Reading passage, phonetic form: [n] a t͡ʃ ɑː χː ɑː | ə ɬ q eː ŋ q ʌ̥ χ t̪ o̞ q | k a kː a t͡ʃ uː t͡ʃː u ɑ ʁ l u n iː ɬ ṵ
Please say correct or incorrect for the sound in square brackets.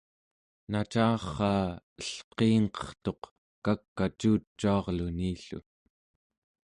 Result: correct